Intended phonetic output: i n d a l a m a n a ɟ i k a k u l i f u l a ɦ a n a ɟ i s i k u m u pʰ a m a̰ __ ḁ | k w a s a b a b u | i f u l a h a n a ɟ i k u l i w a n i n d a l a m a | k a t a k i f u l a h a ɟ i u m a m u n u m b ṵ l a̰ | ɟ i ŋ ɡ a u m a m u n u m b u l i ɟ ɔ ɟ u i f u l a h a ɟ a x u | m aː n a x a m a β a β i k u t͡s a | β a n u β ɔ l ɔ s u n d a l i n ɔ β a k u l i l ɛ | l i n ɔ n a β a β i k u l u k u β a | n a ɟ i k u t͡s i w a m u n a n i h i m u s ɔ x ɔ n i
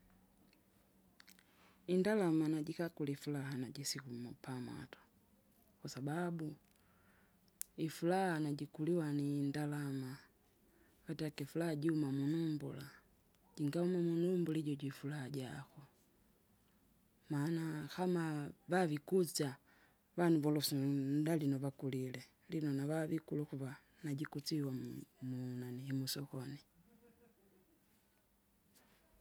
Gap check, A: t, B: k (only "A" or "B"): A